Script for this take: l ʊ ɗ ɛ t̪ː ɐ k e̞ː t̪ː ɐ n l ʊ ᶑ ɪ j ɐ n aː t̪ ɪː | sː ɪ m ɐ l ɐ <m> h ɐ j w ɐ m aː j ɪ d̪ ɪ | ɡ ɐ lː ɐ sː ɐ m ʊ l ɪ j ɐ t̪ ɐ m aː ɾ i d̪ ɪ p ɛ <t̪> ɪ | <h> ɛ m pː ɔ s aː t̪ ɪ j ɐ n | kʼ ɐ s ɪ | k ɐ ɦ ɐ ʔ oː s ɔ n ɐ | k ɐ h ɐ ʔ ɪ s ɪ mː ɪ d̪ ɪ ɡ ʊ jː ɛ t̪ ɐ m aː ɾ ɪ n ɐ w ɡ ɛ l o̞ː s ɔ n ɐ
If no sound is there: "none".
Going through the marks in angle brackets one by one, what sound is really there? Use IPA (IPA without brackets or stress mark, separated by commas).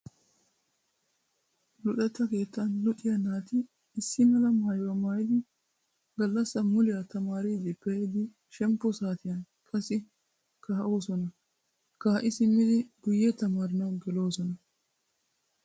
m, d̪, ʃ